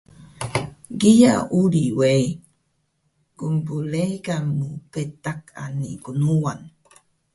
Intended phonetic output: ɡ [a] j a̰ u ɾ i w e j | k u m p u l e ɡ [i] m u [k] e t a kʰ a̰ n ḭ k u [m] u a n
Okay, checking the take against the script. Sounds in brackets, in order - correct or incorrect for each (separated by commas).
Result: incorrect, incorrect, incorrect, incorrect